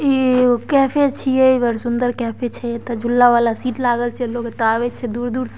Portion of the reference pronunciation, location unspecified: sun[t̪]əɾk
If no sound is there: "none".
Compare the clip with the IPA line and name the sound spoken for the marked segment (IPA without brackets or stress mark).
d̪